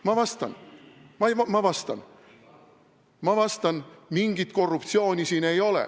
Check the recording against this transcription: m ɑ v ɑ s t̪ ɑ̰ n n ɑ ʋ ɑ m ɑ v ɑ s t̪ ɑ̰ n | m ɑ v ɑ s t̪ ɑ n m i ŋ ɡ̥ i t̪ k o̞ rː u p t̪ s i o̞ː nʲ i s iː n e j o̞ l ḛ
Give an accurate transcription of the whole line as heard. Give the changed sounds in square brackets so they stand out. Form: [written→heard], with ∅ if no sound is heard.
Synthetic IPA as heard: m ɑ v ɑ s t̪ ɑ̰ n [n→m] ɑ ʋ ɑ m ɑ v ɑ s t̪ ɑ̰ n | m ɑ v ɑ s t̪ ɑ n m i ŋ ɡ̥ i t̪ k o̞ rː u p t̪ s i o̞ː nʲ i s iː n e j o̞ l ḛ